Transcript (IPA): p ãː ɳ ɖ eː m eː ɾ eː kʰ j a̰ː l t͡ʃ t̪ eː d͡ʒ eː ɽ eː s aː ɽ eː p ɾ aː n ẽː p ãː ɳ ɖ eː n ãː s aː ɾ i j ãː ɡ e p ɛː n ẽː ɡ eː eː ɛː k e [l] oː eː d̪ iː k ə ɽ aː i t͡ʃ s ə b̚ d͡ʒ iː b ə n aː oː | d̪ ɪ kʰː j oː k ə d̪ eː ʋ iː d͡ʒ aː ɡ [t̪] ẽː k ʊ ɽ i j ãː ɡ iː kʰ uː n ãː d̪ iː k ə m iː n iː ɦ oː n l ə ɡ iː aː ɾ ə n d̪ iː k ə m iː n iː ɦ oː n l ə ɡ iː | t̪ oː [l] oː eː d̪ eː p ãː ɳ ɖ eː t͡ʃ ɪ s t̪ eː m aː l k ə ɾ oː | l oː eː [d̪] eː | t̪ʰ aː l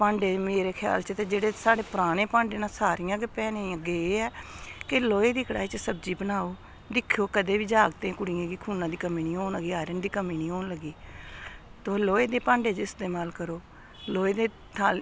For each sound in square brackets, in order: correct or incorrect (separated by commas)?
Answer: correct, correct, correct, correct